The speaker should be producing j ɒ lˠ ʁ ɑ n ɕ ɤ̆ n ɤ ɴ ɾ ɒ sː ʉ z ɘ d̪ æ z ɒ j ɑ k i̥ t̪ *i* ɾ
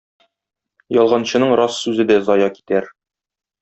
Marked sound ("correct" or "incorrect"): incorrect